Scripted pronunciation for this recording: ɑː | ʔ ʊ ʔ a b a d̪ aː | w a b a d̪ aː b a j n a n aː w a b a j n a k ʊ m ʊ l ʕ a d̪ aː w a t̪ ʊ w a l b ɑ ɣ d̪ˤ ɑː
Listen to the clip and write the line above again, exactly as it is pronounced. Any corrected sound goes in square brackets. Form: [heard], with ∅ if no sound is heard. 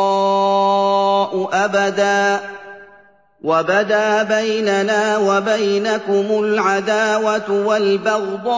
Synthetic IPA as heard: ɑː | ʔ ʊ ʔ a b a d̪ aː | w a b a d̪ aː b a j n a n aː w a b a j n a k ʊ m ʊ l ʕ a d̪ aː w a t̪ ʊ w a l b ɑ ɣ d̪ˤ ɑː